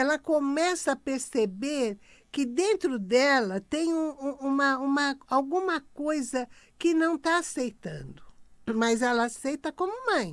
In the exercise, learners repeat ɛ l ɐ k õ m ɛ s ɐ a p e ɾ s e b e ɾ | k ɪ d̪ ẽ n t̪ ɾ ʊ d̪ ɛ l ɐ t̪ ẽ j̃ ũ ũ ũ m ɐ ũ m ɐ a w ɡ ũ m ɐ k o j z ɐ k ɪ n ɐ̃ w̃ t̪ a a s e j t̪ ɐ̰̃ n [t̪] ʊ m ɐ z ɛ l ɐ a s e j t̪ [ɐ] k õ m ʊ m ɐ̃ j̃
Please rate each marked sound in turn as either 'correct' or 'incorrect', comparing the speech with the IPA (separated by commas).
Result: incorrect, correct